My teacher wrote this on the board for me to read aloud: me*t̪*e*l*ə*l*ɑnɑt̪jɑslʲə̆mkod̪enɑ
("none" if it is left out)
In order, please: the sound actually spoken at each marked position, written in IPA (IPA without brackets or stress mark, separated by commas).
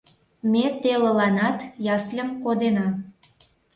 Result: t̪, l, l